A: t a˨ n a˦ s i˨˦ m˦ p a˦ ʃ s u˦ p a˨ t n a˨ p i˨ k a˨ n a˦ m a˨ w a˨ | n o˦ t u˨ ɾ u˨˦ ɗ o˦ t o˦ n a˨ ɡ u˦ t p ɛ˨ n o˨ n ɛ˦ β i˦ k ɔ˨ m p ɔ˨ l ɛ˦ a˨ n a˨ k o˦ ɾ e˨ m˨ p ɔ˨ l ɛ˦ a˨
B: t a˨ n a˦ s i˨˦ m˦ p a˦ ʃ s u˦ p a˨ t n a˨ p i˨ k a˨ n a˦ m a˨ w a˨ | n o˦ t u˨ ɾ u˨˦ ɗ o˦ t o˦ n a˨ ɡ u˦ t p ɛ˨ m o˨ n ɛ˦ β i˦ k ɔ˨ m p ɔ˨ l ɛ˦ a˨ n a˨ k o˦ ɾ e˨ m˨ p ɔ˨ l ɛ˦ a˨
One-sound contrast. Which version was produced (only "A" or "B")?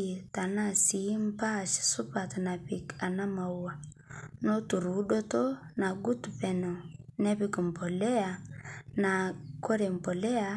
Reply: A